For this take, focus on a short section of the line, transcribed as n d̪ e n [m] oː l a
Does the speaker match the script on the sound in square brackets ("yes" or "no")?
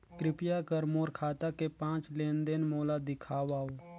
yes